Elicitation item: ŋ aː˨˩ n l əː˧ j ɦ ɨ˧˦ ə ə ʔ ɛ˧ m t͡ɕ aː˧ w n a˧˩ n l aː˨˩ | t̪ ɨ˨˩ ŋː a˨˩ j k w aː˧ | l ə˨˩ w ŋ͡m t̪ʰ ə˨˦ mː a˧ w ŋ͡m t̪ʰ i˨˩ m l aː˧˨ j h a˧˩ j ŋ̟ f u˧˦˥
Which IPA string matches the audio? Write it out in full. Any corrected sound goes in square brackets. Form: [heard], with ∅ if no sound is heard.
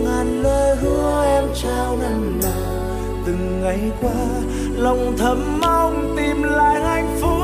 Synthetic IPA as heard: ŋ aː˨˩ n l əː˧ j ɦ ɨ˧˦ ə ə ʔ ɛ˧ m t͡ɕ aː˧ w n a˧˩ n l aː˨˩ | t̪ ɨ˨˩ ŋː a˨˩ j k w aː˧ | l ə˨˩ w ŋ͡m t̪ʰ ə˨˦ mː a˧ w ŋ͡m [t̪] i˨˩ m l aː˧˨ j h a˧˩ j ŋ̟ f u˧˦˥